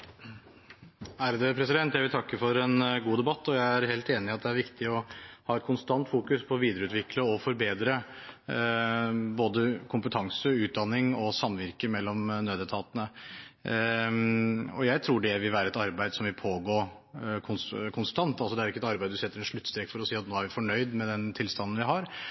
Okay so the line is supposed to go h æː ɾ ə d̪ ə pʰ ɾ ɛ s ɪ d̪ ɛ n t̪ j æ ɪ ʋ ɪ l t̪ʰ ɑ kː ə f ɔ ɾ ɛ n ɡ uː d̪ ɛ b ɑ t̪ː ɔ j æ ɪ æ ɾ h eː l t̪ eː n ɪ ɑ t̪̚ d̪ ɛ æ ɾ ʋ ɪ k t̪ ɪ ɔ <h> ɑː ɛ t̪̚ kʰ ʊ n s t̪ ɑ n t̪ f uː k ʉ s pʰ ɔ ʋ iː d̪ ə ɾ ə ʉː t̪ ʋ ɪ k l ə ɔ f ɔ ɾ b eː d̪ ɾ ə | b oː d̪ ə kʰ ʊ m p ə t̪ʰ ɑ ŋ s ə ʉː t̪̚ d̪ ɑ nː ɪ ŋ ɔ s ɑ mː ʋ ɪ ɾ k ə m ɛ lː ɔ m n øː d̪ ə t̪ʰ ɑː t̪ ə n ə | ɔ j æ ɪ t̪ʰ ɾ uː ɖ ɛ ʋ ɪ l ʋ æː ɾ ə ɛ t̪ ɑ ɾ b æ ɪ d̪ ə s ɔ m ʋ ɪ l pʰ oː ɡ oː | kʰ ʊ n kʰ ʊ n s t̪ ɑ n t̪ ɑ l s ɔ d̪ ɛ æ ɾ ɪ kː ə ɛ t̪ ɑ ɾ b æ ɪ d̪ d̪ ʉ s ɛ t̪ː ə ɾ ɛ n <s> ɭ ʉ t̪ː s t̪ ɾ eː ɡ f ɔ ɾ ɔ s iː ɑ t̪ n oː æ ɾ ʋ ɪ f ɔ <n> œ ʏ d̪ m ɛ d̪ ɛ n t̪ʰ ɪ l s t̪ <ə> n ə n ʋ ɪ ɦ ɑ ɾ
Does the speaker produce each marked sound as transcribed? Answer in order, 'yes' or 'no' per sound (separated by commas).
yes, no, no, no